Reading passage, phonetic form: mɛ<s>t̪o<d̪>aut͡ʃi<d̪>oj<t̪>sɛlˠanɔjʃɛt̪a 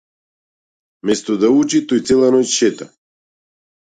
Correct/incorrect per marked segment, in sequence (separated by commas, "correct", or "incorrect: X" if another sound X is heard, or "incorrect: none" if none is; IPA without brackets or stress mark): correct, correct, incorrect: t̪, correct